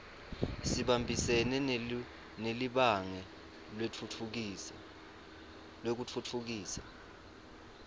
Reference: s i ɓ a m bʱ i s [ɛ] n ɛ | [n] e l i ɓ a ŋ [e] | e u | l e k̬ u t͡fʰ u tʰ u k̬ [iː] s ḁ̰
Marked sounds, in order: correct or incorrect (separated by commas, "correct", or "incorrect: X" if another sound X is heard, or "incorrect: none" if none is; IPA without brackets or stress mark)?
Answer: correct, correct, incorrect: ɛ, correct